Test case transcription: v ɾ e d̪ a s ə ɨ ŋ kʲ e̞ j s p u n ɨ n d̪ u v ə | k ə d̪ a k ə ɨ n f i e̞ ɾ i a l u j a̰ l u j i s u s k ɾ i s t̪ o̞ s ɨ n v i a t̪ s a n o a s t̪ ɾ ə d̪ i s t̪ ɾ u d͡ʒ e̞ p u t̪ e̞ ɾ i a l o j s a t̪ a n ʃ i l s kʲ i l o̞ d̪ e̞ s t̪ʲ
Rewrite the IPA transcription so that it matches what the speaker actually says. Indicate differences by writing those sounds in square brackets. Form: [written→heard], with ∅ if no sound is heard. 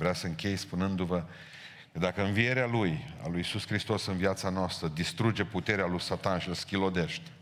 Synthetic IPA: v ɾ e [d̪→∅] a s ə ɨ ŋ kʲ e̞ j s p u n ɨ n d̪ u v ə | k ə d̪ a k ə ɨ n [f→v] i e̞ ɾ [i→e] a l u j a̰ l u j i s u s k ɾ i s t̪ o̞ s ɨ n v i a t̪ s a n o a s t̪ ɾ ə d̪ i s t̪ ɾ u d͡ʒ e̞ p u t̪ e̞ ɾ [i→e] a l [o→u] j s a t̪ a n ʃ i l s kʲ i l o̞ d̪ e̞ [s→ʃ] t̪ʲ